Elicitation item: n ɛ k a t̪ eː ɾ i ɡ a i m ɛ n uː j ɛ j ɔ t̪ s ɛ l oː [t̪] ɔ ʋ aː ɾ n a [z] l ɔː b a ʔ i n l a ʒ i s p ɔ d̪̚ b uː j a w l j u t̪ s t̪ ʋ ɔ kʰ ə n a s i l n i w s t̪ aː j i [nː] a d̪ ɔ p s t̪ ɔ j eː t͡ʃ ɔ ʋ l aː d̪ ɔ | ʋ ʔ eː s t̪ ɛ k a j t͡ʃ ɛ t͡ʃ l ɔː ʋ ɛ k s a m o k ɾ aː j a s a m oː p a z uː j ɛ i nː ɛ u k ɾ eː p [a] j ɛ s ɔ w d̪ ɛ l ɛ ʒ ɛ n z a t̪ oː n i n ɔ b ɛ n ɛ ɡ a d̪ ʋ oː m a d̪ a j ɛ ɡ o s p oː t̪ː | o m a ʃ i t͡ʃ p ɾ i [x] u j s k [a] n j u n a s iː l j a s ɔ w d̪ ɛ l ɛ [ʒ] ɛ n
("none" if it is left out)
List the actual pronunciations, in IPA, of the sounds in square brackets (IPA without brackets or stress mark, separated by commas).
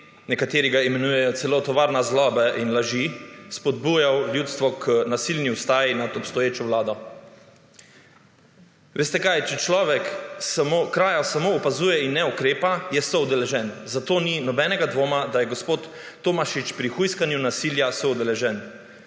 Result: t̪, z, n, a, x, a, ʒ